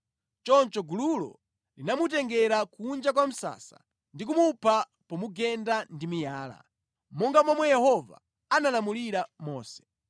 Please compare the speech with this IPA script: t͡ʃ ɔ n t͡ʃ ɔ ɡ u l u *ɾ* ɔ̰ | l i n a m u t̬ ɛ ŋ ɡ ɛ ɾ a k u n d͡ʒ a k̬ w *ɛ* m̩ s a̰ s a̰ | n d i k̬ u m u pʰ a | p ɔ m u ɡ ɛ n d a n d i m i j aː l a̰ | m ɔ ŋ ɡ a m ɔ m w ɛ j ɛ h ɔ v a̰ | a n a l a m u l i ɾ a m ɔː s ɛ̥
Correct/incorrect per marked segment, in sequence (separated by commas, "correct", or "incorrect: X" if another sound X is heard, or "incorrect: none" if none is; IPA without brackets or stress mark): incorrect: l, incorrect: a